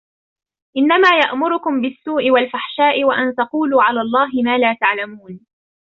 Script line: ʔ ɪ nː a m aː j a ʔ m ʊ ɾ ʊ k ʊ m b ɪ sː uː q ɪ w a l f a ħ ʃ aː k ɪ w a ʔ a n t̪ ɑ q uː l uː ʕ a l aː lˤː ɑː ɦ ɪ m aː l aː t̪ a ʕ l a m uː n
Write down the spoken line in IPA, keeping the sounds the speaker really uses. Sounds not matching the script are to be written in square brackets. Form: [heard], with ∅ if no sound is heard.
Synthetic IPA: ʔ ɪ nː a m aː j a ʔ m ʊ ɾ ʊ k ʊ m b ɪ sː uː [ʔ] ɪ w a l f a ħ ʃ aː [ʔ] ɪ w a ʔ a n t̪ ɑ q uː l uː ʕ a l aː lˤː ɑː ɦ ɪ m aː l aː t̪ a ʕ l a m uː n